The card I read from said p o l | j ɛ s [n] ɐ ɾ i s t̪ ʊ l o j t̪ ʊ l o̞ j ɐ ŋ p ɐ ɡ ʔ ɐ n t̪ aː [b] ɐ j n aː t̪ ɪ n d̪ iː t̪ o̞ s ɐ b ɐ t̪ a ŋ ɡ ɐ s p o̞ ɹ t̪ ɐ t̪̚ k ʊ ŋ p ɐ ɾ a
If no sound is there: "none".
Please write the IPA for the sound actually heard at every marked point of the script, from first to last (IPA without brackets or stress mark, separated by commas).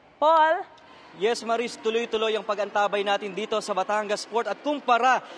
m, b